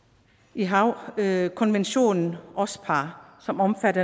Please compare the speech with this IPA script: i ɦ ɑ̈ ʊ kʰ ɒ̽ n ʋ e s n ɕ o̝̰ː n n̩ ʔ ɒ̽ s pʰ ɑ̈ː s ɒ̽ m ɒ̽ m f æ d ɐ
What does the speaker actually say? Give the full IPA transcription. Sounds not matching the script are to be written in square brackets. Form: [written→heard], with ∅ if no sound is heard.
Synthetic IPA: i ɦ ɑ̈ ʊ kʰ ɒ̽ n ʋ e [s→∅] n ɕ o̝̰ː n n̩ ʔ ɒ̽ s pʰ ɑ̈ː s ɒ̽ m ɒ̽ m f æ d ɐ